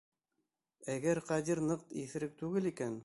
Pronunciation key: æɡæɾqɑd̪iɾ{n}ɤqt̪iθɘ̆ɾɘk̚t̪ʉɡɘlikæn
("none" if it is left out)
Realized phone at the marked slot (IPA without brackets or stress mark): n